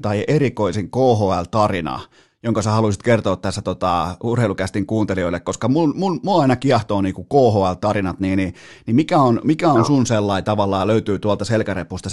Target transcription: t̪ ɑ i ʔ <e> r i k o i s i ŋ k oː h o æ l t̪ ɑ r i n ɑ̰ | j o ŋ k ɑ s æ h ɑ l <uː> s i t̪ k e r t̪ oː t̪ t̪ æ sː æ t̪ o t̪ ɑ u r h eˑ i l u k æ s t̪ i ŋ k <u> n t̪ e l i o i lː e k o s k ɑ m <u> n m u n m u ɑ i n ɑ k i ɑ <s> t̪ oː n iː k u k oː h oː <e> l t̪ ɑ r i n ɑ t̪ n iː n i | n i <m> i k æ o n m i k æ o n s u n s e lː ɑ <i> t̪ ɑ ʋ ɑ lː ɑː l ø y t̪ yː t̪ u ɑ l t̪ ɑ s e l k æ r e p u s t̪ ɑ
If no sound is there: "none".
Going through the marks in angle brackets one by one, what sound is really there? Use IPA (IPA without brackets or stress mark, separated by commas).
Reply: e, u, uː, u, h, æ, m, i